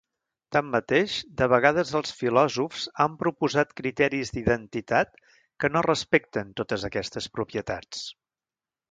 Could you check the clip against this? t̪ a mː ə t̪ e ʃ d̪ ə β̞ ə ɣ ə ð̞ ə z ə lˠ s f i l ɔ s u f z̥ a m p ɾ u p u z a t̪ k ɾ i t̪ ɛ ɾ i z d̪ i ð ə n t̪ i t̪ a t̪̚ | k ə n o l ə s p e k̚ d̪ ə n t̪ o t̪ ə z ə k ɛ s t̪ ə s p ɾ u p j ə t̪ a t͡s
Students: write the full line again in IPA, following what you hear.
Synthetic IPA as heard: t̪ a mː ə t̪ e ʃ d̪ ə β̞ ə ɣ a ð̞ ə z ə lˠ s f i l ɔ z u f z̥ a m p ɾ u p u z a t̪ k ɾ i t̪ ɛ ɾ i z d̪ i ð ə n t̪ i t̪ a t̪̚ | k ə n o r ə s p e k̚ t̪ ə n t̪ o t̪ ə z ə k ɛ s t̪ ə s p ɾ u p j ə t̪ a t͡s